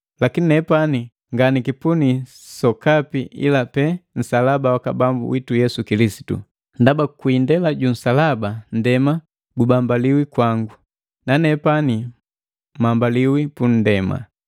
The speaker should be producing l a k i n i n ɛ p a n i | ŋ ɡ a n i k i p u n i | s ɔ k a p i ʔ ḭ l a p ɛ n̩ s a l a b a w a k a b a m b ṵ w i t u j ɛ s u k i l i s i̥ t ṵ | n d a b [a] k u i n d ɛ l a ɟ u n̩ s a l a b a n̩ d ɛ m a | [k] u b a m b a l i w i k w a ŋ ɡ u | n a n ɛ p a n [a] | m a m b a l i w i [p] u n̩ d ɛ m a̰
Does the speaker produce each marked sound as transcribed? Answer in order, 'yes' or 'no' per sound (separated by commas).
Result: yes, no, no, yes